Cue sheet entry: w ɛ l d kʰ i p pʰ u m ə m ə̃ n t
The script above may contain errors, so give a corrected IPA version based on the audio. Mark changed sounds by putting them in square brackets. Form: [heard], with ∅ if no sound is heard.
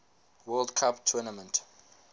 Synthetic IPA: w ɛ l d kʰ [a] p [tʰ] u [n] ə m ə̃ n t